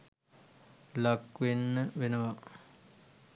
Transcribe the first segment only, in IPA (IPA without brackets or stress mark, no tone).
l